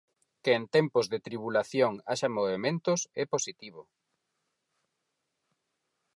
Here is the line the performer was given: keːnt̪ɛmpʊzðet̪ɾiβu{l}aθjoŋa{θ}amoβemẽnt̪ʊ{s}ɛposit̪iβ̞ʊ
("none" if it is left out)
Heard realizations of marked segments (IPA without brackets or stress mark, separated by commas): l, ʃ, s